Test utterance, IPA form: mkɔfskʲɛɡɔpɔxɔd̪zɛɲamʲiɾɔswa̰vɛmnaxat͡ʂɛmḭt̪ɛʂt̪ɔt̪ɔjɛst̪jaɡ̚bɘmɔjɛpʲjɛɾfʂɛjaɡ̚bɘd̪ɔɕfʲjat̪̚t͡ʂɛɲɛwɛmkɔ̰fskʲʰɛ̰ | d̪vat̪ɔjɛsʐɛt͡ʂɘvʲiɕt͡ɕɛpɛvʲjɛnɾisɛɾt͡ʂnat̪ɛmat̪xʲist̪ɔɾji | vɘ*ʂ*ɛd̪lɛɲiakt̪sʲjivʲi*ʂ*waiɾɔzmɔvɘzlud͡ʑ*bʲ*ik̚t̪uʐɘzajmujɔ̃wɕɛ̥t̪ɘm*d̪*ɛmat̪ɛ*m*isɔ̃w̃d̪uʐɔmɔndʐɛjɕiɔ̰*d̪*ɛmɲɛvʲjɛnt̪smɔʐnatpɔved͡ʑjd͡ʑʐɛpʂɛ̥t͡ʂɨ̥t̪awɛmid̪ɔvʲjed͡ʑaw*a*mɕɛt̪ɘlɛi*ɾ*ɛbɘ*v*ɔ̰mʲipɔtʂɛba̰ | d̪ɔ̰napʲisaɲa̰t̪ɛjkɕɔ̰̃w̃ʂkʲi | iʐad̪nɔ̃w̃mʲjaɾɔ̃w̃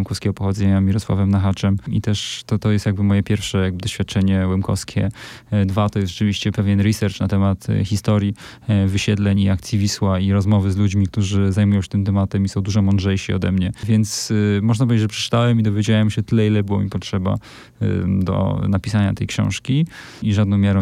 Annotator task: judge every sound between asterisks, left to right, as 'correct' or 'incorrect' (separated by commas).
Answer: incorrect, incorrect, incorrect, incorrect, correct, correct, incorrect, incorrect, incorrect